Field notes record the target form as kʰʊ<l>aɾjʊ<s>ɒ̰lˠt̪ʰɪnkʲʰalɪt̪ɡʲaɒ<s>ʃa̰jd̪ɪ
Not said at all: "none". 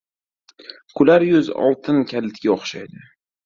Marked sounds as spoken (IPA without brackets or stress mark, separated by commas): l, z, χ